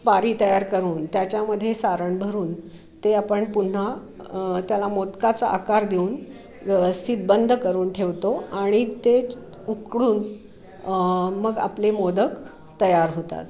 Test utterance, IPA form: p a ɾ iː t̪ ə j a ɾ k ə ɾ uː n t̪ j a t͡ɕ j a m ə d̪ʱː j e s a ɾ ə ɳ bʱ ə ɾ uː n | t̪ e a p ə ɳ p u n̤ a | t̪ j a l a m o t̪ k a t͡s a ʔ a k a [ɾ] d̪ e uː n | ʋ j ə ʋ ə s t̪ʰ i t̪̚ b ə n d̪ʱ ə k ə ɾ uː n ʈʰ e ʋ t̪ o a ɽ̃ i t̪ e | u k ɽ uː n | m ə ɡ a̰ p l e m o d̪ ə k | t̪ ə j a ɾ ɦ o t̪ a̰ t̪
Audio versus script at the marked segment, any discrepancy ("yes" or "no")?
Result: no